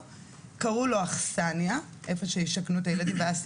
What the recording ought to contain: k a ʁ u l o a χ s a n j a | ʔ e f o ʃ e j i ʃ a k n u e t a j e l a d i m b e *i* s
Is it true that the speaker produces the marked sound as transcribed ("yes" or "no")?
no